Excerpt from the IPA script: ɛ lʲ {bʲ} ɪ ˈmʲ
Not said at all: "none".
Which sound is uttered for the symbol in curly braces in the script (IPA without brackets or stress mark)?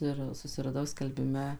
bʲ